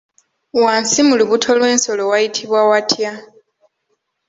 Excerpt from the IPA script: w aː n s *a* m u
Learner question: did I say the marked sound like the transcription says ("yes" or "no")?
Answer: no